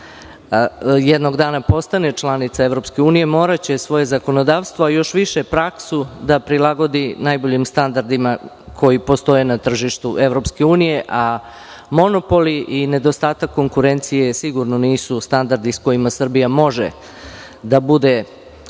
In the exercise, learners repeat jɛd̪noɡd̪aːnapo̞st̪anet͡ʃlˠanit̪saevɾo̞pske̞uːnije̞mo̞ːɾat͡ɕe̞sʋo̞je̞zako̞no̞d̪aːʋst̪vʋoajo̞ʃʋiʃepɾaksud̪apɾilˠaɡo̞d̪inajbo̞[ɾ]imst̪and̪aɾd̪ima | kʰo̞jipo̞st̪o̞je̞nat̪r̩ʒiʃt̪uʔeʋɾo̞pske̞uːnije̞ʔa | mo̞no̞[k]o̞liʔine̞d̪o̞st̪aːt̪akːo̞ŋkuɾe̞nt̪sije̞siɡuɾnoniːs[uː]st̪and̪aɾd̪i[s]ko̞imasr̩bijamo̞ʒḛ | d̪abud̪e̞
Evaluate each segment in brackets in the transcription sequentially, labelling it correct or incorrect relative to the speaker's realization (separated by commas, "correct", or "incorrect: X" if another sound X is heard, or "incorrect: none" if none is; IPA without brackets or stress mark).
incorrect: ʎ, incorrect: p, incorrect: u, correct